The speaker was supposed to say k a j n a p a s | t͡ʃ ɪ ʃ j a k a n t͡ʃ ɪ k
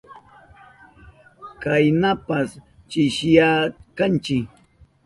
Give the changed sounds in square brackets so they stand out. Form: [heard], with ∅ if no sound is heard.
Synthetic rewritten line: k a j n a p a s | t͡ʃ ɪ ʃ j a k a n t͡ʃ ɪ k